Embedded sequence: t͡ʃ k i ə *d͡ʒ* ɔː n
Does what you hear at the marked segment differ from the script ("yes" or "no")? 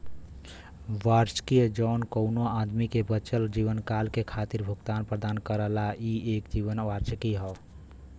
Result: no